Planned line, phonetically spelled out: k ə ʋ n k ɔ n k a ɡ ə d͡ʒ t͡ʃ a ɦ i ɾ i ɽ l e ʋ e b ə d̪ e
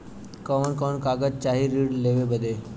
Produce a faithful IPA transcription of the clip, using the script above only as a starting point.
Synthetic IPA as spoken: k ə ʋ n k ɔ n k a ɡ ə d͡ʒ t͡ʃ a ɦ i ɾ i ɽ l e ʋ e b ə d̪ e